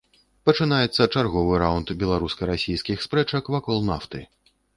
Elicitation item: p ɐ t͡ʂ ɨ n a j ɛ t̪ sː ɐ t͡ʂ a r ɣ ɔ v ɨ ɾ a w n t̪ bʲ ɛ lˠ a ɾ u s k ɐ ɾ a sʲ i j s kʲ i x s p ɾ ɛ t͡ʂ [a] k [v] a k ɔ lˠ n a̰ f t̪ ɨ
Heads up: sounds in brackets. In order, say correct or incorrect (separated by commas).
incorrect, correct